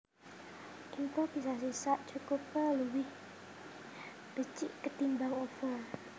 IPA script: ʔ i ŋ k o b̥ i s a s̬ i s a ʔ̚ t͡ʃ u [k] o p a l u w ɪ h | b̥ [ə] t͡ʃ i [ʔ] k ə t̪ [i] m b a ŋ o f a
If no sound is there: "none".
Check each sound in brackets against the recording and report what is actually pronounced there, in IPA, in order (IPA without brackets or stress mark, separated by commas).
k, ə, ʔ, i